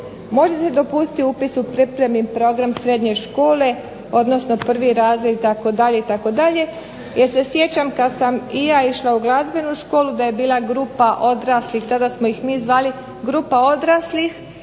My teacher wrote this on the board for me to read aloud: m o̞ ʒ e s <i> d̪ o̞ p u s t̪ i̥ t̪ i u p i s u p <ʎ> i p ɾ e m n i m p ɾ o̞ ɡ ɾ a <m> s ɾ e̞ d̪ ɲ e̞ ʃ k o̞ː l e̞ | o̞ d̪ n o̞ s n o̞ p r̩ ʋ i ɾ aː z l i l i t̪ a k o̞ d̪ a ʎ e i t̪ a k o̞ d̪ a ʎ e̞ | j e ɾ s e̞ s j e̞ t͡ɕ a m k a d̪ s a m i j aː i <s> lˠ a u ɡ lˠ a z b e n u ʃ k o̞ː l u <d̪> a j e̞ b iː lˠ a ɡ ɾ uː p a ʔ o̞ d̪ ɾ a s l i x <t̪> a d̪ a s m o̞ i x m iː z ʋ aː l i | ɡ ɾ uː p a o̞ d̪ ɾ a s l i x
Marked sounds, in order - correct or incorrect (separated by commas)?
incorrect, incorrect, correct, incorrect, correct, correct